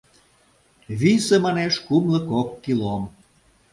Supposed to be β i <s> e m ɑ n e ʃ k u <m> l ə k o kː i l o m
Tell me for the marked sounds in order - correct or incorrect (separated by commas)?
correct, correct